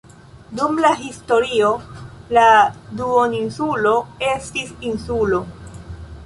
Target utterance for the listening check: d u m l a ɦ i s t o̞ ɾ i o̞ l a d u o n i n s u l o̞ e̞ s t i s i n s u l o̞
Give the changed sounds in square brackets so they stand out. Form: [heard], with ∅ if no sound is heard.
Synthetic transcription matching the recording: d u m l a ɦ i s t o̞ ɾ i o̞ l a d u o n i n s u l o̞ e̞ s t i s i n s u l o̞

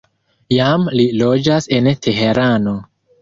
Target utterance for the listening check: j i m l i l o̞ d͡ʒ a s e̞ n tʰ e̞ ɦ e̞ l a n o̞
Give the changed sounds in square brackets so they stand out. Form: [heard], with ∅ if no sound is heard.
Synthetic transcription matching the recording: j [a] m l i l o̞ d͡ʒ a s e̞ n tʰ e̞ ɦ e̞ [ɾ] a n o̞

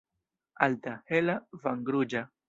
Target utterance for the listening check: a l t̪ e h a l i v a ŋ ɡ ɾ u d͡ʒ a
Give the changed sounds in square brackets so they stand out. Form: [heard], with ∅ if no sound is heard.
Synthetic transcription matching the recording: a l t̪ [a] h [e] l [a] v a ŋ ɡ ɾ u d͡ʒ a

